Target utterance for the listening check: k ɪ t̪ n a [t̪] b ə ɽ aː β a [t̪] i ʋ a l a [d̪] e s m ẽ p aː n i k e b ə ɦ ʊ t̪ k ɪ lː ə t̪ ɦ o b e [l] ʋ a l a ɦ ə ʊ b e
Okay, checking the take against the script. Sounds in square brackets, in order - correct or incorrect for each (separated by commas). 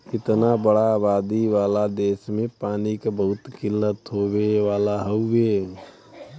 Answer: incorrect, incorrect, correct, incorrect